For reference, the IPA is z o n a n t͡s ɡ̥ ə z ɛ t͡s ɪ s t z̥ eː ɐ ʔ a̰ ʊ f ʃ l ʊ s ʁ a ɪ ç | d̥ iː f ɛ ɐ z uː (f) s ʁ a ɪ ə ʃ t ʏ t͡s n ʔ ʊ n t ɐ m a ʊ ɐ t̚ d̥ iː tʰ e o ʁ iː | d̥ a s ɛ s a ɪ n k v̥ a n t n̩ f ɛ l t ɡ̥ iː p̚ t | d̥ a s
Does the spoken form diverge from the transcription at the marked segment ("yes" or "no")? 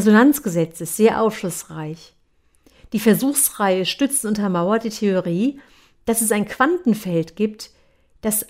yes